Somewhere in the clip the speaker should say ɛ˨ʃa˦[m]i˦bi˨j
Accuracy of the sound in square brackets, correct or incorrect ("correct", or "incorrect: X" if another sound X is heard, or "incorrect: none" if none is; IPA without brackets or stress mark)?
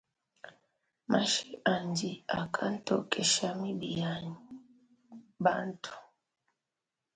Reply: correct